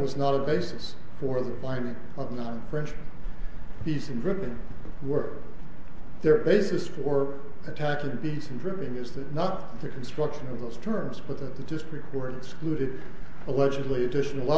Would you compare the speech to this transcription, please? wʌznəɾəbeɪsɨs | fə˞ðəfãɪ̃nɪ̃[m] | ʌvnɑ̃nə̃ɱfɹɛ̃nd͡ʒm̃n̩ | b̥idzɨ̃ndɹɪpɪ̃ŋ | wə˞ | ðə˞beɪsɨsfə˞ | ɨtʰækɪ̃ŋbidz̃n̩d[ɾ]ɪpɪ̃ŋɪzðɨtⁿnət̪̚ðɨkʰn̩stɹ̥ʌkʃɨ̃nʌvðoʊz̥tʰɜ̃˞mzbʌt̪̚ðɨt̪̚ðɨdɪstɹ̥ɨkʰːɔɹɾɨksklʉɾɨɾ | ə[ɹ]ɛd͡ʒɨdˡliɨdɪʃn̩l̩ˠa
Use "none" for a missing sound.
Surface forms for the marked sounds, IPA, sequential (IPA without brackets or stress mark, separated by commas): ŋ, ɹ, l